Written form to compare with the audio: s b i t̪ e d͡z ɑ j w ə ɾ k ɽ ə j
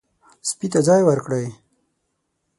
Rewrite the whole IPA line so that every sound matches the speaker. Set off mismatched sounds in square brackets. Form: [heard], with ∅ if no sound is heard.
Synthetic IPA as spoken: s [p] i t̪ [a] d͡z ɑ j w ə ɾ k ɽ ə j